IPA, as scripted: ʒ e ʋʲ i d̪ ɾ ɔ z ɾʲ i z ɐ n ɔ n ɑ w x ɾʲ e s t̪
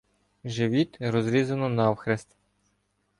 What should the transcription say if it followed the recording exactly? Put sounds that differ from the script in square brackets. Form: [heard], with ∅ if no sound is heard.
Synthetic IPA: ʒ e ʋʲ i [t̪] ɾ ɔ z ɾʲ i z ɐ n ɔ n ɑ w x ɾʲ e s t̪